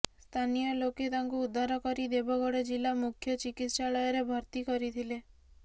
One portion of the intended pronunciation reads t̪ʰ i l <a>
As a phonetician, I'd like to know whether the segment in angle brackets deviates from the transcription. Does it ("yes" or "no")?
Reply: yes